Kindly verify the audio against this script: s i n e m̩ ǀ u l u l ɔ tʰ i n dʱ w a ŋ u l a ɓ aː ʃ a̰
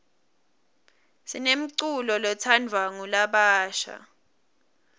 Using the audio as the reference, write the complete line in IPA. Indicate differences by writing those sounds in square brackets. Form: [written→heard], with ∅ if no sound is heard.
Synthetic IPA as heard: s i n e m̩ ǀ u l [u→ɔ] l ɔ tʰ [i→a] n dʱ w a ŋ u l a ɓ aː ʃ a̰